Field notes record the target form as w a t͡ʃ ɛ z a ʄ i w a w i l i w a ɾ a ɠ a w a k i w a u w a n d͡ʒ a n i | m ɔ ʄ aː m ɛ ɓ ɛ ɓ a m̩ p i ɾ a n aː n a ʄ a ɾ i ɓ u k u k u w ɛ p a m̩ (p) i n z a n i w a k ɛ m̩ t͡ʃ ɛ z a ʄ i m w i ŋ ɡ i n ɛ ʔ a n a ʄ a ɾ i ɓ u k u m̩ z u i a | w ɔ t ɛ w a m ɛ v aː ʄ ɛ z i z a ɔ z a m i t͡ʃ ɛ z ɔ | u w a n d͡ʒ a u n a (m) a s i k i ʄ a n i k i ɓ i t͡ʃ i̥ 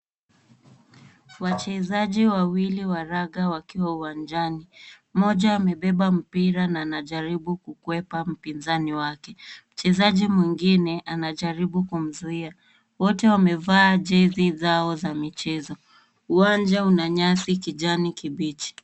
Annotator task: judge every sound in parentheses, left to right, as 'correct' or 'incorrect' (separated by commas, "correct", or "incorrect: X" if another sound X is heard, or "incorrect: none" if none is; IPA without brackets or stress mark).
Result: correct, incorrect: ɲ